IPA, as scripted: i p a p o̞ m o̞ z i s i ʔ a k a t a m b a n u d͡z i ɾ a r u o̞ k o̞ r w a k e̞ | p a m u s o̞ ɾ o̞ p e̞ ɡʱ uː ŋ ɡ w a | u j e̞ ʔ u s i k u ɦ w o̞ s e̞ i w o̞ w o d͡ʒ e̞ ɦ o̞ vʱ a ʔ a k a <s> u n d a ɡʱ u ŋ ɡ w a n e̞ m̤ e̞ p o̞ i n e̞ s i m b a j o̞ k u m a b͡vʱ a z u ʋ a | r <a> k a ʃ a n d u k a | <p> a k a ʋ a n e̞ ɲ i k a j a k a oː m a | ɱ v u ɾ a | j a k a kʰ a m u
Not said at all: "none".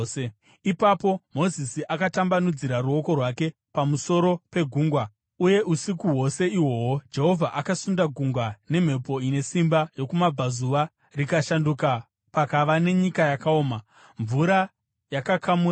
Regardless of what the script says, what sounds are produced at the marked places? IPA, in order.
s, i, p

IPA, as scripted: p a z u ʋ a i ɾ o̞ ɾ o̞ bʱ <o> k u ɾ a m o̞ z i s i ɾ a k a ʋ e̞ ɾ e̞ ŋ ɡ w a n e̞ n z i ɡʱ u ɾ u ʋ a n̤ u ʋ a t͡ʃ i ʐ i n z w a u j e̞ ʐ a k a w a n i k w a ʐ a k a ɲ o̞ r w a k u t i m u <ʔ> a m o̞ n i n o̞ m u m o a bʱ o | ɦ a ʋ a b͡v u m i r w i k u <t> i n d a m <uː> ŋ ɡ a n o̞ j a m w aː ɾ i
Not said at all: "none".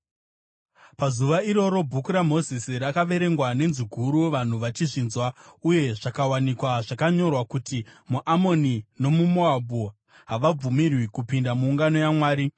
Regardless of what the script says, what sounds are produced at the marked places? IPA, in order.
u, ʔ, p, uː

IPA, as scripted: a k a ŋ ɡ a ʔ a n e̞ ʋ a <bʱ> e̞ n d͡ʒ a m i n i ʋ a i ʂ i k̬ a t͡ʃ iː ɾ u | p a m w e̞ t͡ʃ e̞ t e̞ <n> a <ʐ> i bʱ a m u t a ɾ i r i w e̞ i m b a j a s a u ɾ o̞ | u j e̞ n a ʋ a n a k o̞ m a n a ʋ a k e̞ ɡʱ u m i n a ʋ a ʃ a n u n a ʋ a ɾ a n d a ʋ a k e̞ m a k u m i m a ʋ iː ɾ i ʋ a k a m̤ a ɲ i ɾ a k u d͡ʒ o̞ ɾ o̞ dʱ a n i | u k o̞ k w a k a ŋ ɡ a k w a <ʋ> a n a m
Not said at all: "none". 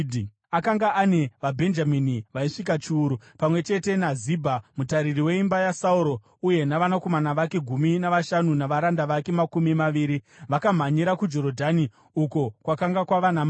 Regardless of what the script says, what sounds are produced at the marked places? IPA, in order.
bʱ, n, z, ʋ

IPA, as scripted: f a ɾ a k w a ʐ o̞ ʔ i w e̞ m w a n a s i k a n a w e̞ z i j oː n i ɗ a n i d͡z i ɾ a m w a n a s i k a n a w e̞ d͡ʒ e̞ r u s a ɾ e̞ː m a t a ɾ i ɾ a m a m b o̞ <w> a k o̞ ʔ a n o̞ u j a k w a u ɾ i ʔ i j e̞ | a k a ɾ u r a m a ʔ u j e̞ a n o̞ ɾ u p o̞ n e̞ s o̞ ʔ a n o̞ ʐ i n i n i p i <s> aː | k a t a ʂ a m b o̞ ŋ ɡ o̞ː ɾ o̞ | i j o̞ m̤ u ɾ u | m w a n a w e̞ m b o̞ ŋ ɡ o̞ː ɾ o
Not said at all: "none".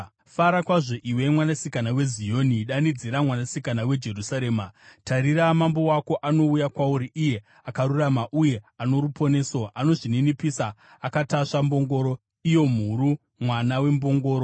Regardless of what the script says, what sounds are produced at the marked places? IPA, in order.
w, s

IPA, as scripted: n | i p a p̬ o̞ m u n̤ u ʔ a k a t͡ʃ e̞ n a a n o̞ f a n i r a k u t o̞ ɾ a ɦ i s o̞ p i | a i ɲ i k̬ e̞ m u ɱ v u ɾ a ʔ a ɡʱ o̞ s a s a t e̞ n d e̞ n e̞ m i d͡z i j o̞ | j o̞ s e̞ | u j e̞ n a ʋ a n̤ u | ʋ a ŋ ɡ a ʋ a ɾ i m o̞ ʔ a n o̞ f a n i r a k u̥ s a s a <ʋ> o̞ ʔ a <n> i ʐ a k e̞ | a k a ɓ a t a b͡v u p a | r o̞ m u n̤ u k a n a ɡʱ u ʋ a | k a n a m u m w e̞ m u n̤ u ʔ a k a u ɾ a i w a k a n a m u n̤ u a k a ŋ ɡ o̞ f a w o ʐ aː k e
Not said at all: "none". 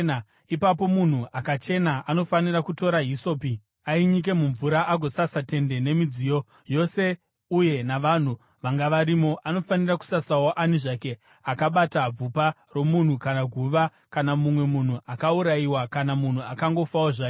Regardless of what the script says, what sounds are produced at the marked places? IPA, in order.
w, n

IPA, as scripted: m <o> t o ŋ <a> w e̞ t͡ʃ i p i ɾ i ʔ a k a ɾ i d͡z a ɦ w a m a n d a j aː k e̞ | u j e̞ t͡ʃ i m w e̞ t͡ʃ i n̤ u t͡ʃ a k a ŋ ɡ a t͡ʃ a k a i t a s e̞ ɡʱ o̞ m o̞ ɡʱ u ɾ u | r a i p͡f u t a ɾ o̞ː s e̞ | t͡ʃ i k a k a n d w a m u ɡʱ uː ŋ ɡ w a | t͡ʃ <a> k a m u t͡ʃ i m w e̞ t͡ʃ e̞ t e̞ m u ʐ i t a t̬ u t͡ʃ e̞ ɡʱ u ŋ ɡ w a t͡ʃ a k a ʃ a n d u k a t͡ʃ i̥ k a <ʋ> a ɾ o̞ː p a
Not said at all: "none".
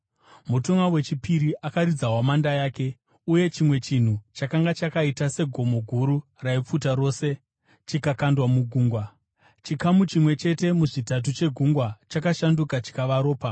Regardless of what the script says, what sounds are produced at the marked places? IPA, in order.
u, a, i, ʋ

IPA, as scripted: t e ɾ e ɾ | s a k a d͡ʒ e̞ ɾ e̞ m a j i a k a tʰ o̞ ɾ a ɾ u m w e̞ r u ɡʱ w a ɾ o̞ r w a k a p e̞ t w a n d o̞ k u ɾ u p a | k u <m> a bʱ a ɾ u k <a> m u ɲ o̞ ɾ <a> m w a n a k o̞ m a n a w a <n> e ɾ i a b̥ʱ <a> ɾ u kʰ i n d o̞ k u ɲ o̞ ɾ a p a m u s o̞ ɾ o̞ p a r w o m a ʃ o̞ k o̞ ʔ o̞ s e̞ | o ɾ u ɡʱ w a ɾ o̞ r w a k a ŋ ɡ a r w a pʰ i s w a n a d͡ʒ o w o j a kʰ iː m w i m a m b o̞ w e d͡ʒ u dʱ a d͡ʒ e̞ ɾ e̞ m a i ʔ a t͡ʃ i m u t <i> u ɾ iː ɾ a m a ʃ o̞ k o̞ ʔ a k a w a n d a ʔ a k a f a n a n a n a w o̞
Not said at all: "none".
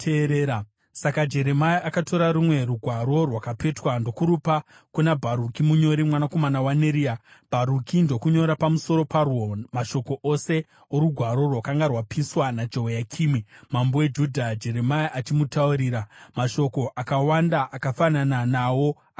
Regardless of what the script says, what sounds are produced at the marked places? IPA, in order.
n, i, i, n, a, a

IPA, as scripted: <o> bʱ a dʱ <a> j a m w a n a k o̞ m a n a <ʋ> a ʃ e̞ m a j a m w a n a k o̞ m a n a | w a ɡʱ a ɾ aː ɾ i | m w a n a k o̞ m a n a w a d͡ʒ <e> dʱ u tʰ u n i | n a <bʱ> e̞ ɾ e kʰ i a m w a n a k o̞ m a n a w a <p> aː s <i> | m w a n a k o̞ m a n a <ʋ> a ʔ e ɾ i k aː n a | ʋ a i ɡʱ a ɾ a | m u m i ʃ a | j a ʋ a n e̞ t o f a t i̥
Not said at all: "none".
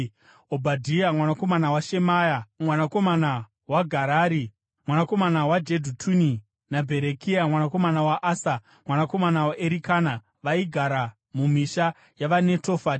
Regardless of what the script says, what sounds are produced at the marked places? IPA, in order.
o, i, w, e, bʱ, ʔ, a, w

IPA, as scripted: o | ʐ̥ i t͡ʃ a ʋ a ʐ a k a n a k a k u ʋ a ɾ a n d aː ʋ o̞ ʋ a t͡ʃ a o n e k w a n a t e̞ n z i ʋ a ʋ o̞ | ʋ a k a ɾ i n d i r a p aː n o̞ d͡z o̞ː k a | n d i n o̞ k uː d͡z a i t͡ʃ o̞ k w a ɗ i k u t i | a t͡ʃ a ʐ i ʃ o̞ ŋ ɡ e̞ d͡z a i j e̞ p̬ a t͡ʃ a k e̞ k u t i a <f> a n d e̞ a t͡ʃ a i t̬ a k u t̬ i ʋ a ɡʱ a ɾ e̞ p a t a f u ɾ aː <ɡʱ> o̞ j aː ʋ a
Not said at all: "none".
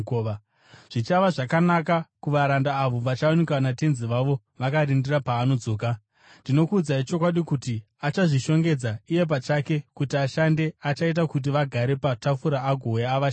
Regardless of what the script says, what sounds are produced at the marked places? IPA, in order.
ʃ, ɡʱ

